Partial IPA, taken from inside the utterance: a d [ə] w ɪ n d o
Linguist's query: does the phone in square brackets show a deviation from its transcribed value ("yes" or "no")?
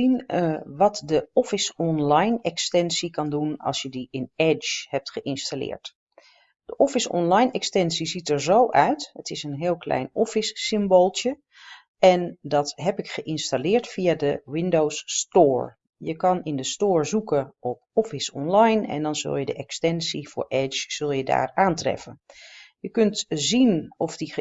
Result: no